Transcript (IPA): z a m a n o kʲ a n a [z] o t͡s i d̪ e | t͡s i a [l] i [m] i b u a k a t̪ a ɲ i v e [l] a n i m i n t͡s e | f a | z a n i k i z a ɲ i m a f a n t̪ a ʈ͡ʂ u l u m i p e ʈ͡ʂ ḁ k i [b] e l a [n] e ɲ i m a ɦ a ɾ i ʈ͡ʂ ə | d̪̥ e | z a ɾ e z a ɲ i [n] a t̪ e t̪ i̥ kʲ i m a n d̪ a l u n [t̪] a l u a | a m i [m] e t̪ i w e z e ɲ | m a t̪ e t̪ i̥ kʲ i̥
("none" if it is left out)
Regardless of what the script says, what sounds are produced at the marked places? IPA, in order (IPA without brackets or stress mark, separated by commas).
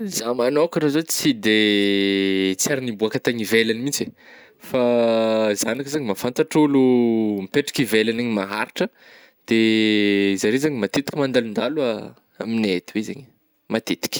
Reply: z, ɾ, n, l, v, n, m, d̪, n